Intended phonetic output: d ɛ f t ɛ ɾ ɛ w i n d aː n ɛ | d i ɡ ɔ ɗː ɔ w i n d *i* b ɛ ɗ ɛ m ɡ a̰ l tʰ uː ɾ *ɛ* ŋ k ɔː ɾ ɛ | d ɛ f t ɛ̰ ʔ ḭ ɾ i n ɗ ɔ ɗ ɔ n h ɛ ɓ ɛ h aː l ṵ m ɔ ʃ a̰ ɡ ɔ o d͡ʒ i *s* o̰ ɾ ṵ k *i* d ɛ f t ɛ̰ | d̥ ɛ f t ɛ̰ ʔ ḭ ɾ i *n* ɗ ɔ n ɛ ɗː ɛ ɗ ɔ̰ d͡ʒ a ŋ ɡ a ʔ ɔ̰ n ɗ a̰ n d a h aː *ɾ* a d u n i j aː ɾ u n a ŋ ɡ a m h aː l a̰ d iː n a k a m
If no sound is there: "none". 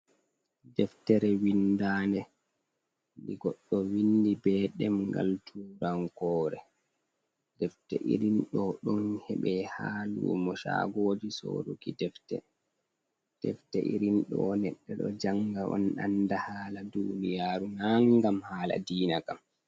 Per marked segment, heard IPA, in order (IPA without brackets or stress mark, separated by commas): i, a, s, i, n, l